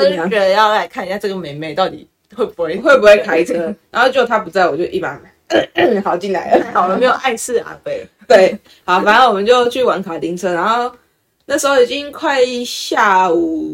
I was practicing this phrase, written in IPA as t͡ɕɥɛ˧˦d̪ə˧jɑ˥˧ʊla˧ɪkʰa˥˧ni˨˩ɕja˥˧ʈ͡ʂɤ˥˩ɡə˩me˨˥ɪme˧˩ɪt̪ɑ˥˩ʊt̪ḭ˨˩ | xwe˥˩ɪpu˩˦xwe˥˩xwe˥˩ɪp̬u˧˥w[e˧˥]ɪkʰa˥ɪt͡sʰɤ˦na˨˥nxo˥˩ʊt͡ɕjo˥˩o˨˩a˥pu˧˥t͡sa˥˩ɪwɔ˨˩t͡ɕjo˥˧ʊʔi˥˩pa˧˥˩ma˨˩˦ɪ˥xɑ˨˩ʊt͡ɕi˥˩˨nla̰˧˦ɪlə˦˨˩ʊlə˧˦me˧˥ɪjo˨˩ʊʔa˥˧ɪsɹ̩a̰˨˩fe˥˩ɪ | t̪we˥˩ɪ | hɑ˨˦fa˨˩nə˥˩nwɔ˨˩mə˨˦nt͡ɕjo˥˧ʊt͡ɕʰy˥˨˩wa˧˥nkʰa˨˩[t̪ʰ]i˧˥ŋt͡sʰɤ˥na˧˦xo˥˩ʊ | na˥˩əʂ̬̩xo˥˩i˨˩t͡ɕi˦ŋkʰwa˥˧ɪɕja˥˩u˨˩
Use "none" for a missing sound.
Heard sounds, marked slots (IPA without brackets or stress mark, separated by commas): e˥˩, t̪